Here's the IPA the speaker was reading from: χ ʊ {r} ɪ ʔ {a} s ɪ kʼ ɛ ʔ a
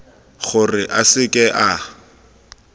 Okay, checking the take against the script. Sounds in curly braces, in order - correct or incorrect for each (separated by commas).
correct, correct